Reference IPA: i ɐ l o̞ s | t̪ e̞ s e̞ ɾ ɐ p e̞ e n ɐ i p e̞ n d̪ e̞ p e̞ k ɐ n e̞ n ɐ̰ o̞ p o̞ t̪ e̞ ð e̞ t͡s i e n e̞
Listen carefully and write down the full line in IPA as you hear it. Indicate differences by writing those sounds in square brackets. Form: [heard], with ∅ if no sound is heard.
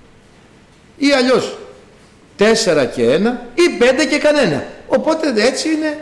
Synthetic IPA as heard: i ɐ [ʎ] o̞ s | t̪ e̞ s e̞ ɾ ɐ [c] e̞ e n ɐ i p e̞ n d̪ e̞ [c] e̞ k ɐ n e̞ n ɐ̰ o̞ p o̞ t̪ e̞ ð e̞ t͡s i [i] n e̞